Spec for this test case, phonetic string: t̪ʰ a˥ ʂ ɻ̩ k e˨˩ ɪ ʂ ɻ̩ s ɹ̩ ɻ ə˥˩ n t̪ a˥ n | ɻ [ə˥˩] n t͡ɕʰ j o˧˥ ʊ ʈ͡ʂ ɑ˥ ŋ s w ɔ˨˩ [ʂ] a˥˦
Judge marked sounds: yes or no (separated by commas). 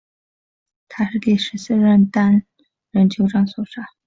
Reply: no, yes